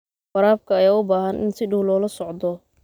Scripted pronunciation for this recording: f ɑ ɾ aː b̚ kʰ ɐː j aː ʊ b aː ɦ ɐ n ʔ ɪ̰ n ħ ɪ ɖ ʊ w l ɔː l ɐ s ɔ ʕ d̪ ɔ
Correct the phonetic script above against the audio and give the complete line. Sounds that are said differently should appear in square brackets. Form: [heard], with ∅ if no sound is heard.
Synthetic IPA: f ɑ ɾ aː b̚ kʰ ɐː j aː ʊ b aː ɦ ɐ n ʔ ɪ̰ n [s] ɪ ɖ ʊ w l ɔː l ɐ s ɔ ʕ d̪ ɔ